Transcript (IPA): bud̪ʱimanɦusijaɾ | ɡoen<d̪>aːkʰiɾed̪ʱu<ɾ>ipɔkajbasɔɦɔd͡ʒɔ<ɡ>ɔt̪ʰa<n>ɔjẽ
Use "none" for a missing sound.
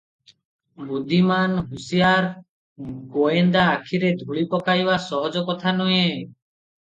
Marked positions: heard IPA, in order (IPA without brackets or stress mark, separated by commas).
d̪, ɭ, k, n